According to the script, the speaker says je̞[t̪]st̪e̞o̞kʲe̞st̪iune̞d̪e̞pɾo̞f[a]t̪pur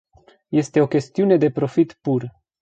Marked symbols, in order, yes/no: no, no

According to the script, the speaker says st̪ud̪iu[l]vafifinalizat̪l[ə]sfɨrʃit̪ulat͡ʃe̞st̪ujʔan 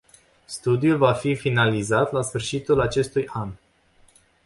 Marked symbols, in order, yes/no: yes, no

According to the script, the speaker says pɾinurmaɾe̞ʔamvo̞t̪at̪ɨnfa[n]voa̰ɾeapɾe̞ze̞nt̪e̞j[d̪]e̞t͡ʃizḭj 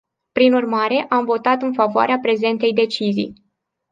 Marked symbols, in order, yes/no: no, yes

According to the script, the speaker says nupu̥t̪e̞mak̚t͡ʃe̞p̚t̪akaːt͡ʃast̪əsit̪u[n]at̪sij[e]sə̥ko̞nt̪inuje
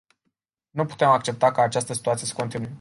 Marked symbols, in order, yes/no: no, yes

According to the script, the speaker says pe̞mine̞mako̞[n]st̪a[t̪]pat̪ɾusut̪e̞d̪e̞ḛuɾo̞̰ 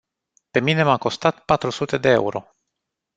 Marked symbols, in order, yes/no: no, yes

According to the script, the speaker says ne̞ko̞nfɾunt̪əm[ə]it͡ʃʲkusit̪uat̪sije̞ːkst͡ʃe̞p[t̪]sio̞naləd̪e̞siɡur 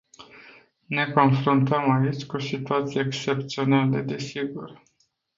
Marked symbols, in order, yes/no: no, yes

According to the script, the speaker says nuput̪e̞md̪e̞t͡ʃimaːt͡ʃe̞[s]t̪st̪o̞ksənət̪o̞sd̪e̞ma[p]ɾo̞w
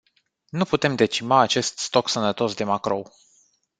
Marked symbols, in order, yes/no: yes, no

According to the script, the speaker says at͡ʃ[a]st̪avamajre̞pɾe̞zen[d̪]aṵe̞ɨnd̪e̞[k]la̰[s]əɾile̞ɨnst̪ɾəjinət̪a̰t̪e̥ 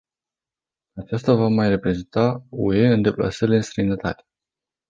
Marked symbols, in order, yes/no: yes, no, no, yes

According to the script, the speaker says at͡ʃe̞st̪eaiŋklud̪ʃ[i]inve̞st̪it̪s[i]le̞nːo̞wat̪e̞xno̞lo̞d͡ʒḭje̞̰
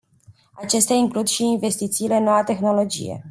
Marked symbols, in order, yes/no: yes, no

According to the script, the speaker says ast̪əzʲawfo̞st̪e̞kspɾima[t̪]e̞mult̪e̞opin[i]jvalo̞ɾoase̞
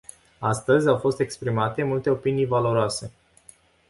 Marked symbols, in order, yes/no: yes, yes

